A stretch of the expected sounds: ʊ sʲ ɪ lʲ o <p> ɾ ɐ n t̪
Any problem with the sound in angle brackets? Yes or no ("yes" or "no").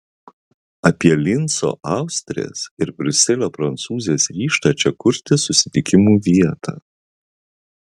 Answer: no